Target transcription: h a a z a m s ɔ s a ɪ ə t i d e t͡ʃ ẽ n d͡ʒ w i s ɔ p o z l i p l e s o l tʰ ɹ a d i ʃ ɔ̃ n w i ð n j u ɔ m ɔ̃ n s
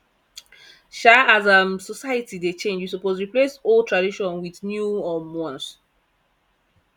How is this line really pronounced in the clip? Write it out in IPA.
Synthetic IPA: ʃ a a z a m s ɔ s a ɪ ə t i d e t͡ʃ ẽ n d͡ʒ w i s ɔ p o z ɹ i p l e s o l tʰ ɹ a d i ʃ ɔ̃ n w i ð n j u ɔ m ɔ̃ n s